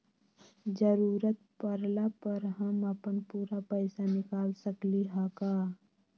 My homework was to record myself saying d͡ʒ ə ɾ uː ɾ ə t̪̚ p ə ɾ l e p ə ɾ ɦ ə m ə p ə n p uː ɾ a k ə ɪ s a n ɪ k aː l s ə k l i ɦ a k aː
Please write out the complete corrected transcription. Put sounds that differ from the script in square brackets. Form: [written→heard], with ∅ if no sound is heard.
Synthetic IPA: d͡ʒ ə ɾ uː ɾ ə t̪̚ p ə ɾ l [e→a] p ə ɾ ɦ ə m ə p ə n p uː ɾ a [k→p] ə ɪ s a n ɪ k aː l s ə k l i ɦ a k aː